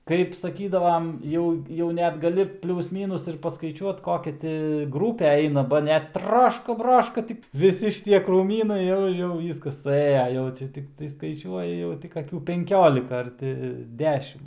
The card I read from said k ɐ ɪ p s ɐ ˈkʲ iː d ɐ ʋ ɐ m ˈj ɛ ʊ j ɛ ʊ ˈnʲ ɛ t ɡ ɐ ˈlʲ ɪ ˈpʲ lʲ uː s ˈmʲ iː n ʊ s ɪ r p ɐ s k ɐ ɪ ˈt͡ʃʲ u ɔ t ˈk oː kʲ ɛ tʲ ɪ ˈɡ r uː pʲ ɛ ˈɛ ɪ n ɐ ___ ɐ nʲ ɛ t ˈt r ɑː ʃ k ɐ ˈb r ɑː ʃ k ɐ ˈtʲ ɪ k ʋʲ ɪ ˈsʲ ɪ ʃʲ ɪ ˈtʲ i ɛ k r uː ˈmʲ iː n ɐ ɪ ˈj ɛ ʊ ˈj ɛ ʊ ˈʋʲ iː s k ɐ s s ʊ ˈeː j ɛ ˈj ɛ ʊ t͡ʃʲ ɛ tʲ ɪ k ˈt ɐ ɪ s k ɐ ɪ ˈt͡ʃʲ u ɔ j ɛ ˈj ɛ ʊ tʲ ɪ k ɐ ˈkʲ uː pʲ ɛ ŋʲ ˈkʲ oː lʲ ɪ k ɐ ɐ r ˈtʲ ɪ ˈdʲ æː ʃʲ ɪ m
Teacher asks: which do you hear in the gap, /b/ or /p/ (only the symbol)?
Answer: b